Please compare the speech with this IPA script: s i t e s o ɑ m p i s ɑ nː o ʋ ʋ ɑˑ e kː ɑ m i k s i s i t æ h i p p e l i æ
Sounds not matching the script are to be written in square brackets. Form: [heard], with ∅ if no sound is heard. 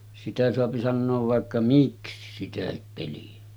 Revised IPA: s i t [æ] s o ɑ [∅] p i s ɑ nː [oː] ʋ ʋ ɑˑ e kː ɑ m i k s i s i t æ h i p p e l i æ